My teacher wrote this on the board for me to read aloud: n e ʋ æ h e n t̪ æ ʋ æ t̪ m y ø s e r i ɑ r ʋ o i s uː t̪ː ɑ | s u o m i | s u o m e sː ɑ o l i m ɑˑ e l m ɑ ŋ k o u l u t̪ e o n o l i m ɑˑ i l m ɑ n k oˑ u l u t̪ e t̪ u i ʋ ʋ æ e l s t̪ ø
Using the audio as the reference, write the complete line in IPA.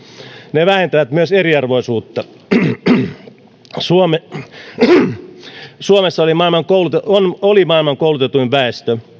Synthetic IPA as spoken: n e ʋ æ h e n t̪ æ ʋ æ t̪ m y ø s e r i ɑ r ʋ o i s uː t̪ː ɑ | s u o m e | s u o m e sː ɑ o l i m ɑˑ i l m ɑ ŋ k o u l u t̪ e o n o l i m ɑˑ i l m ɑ ŋ k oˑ u l u t̪ e t̪ u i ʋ ʋ æ e s t̪ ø

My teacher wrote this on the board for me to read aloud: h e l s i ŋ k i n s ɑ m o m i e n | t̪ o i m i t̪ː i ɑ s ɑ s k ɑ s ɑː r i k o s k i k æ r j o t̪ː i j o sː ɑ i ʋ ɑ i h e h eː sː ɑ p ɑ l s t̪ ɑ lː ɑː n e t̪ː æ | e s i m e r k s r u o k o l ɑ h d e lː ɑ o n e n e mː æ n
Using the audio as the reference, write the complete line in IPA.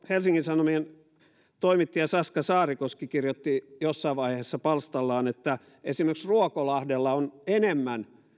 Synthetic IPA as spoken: h e l s i ŋ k i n s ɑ n o m i e n | t̪ o i m i t̪ː i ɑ s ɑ s k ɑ s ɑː r i k o s k i k i r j o t̪ː i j o sː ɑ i ʋ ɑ i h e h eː sː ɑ p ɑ l s t̪ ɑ lː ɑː n e t̪ː æ | e s i m e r k s r u o k o l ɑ h d e lː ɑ o n e n e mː æ n

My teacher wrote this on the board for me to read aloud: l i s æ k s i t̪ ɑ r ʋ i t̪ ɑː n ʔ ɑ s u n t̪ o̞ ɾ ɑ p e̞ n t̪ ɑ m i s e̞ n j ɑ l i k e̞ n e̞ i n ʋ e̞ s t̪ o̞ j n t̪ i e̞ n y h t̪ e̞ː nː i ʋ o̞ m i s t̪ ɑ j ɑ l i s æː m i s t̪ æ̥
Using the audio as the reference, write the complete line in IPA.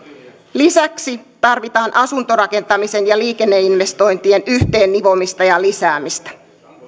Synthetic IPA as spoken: l i s æ k s i t̪ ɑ r ʋ i t̪ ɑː n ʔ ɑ s u n t̪ o̞ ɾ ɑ k e̞ n t̪ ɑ m i s e̞ n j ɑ l iː k e̞ nː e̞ i n ʋ e̞ s t̪ o̞ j n t̪ i e̞ n y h t̪ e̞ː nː i ʋ o̞ m i s t̪ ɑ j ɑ l i s æː m i s t̪ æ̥

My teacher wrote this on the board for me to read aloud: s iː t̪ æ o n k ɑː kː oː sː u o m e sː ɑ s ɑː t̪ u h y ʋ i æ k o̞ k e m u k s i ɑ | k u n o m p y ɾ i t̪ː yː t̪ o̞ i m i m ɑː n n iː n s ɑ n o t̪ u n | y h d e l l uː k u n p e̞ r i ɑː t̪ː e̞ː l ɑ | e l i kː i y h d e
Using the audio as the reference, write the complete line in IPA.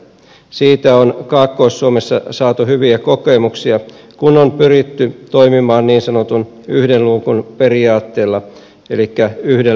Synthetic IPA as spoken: s iː t̪ æ o n k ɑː kː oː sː u o m e sː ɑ s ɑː t̪ u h y ʋ i æ k o̞ k e m u k s i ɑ | k u n o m p y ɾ i t̪ː y t̪ o̞ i m i m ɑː n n iː n s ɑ n o t̪ u n | y h d e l l uː k u n p e̞ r i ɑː t̪ː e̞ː lː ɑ | e l i kː æ y h d e

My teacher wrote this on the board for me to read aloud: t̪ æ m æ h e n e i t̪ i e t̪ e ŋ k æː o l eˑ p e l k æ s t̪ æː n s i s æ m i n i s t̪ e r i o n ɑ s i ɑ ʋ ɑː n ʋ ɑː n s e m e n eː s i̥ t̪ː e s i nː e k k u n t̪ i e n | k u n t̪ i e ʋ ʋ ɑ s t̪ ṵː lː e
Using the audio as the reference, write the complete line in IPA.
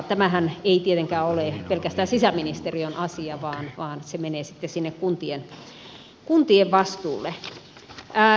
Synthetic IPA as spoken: t̪ æ m æ h æ n e i t̪ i e t̪ e ŋ k æː o l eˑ p e l k æ s t̪ æː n s i s æ m i n i s t̪ e r i o n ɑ s i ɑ ʋ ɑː n ʋ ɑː n s e m e n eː s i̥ t̪ː e s i nː e k k u n t̪ i e n | k u n t̪ i e ʋ ʋ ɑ s t̪ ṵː lː e

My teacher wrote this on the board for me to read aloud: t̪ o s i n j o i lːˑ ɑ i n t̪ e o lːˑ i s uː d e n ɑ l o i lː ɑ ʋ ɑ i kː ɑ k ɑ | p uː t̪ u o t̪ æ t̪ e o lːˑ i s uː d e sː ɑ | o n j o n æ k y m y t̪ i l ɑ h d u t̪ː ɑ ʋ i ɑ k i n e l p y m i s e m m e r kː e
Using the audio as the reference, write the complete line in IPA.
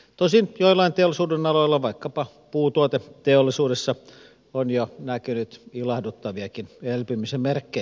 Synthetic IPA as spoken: t̪ o s i n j o i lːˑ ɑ i n t̪ e o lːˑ i s uː d e n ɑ l o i lː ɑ ʋ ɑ i kː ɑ p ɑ | p uː t̪ u o t̪ e t̪ e o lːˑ i s uː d e sː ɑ | o n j o n æ k y n y t̪ i l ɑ h d u t̪ː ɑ ʋ i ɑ k i n e l p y m i s e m m e r kː e

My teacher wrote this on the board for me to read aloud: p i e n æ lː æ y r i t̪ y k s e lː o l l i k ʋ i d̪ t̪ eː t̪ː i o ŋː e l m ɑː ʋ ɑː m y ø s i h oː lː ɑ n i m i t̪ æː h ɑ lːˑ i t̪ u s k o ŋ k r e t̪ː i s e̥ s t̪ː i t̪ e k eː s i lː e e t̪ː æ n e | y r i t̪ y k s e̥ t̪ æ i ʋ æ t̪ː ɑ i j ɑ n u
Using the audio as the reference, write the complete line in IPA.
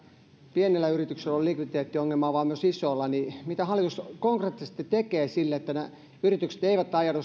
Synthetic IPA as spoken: p i e n e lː æ y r i t̪ y k s e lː o l l i k ʋ i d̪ t̪ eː t̪ː i o ŋː e l m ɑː ʋ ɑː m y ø s i s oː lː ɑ n i m i t̪ æ h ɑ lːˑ i t̪ u s k o ŋ k r e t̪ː i s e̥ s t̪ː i t̪ e k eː s i lː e e t̪ː æ n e | y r i t̪ y k s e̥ t̪ e i ʋ æ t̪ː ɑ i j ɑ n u

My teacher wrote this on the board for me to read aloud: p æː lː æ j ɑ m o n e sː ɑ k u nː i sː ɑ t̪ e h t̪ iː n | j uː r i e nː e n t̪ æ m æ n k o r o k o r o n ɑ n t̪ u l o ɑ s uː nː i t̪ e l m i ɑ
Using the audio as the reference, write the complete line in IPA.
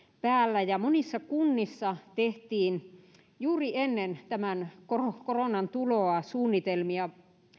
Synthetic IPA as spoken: p æː lː æ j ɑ m o n i sː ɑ k u nː i sː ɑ t̪ e h t̪ iː n | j uː r i e nː e n t̪ æ m æ n k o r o k o r o n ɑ n t̪ u l o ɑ s uː nː i t̪ e l m i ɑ

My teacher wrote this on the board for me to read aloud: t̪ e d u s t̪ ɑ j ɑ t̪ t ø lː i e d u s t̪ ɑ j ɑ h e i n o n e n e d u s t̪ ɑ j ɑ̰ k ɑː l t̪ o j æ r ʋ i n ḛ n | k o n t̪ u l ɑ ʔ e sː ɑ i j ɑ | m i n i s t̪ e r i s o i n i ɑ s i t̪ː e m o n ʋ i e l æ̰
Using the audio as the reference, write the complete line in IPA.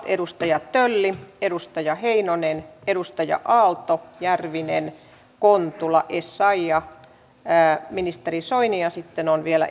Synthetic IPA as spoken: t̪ e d u s t̪ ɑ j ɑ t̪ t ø lː i e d u s t̪ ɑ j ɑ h e i n o n e n e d u s t̪ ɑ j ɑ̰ ʔ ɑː l t̪ o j æ r ʋ i n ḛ n | k o n t̪ u l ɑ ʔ e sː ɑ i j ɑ | m i n i s t̪ e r i s o i n i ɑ s i t̪ː e n o n ʋ i e l æ̰

